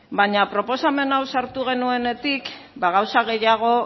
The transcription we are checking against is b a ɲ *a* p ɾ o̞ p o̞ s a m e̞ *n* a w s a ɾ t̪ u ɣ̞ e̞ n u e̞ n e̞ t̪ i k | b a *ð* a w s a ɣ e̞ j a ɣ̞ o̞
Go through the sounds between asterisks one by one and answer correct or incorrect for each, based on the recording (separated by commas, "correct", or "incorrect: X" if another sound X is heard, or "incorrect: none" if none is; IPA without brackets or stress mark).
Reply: correct, correct, incorrect: ɣ